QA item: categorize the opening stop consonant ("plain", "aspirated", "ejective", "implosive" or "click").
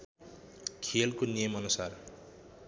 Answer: aspirated